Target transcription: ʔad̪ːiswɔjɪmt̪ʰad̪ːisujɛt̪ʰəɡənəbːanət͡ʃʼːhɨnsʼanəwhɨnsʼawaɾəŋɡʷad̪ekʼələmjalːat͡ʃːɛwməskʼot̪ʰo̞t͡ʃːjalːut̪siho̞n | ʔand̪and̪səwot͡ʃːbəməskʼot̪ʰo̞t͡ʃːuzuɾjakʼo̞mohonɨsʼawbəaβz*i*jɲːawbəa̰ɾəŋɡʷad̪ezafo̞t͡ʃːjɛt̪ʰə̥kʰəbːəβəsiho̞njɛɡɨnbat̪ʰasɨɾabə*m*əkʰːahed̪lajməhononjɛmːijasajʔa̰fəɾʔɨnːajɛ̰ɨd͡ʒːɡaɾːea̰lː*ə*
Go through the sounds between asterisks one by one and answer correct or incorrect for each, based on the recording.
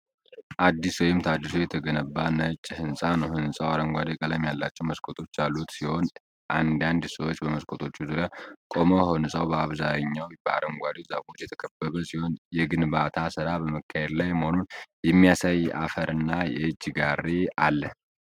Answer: incorrect: a, correct, correct

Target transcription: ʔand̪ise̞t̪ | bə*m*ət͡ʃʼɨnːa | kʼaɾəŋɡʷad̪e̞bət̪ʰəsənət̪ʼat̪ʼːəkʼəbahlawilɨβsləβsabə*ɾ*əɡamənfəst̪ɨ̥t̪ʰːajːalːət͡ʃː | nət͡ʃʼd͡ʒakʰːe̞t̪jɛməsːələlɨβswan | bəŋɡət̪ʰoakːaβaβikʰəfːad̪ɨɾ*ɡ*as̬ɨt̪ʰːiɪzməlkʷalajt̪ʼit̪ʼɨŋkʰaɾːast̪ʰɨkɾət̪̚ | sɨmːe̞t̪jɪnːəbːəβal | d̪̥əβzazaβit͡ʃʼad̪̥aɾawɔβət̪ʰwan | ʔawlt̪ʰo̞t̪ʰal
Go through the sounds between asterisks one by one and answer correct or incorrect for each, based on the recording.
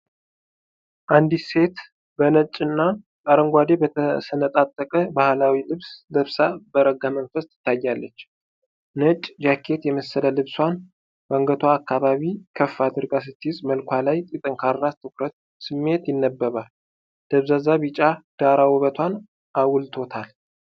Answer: incorrect: n, correct, correct

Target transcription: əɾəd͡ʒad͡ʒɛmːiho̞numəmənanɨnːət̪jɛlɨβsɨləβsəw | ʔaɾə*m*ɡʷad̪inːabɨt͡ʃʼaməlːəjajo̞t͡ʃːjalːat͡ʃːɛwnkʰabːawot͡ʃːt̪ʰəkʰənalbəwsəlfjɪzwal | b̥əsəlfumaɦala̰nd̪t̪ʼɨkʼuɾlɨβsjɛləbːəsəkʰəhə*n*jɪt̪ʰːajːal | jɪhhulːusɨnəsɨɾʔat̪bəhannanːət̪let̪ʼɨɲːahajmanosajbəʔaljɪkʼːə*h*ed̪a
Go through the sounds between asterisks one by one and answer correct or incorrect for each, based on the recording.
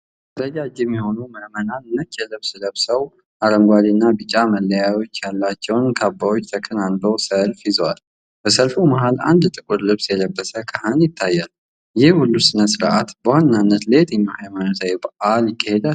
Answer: incorrect: ŋ, correct, correct

